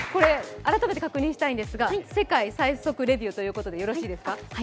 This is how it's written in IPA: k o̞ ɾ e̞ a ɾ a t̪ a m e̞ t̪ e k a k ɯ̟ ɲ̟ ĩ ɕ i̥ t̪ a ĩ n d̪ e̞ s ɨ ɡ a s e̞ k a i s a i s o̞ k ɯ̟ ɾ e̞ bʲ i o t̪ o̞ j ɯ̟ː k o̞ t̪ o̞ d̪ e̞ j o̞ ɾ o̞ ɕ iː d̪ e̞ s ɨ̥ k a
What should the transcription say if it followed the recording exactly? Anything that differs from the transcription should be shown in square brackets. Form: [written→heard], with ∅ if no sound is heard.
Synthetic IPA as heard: k o̞ ɾ e̞ a ɾ a t̪ a m e̞ t̪ e k a k ɯ̟ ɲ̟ ĩ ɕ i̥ t̪ a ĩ n d̪ e̞ s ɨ ɡ a s e̞ k a i s a i s o̞ k ɯ̟ ɾ e̞ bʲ i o t̪ o̞ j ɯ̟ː k o̞ t̪ o̞ d̪ e̞ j o̞ ɾ o̞ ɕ iː d̪ e̞ s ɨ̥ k a